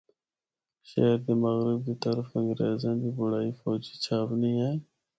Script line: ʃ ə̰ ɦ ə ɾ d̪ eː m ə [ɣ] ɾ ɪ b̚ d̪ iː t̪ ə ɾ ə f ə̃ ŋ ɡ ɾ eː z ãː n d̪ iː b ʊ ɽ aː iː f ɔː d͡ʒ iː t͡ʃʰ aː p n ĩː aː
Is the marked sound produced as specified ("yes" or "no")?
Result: yes